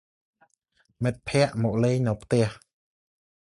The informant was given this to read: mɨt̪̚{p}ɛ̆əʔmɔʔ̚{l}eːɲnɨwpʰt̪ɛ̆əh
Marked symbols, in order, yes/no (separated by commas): no, yes